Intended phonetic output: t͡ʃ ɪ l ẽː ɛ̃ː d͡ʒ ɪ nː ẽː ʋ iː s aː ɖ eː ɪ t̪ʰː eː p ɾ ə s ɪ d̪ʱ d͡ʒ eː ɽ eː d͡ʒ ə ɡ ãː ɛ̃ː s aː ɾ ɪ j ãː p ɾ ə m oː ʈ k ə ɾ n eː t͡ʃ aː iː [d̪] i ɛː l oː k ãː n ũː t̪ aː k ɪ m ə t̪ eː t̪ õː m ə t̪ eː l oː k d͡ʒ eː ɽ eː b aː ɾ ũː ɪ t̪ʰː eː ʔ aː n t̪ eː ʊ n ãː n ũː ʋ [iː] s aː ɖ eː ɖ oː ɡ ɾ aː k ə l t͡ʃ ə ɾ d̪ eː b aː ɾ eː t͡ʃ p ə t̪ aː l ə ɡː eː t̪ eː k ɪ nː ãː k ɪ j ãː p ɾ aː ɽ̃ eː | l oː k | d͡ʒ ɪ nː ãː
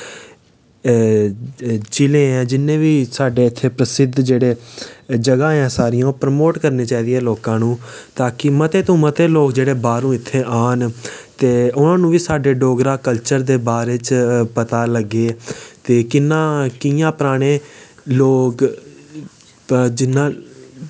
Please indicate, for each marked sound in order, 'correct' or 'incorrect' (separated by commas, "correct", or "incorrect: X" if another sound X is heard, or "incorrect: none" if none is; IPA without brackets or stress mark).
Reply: correct, correct